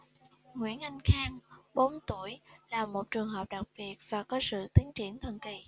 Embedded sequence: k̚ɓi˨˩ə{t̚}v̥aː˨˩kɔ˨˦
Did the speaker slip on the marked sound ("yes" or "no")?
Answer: no